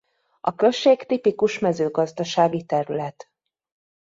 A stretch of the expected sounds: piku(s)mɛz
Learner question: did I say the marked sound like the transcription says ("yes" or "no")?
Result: no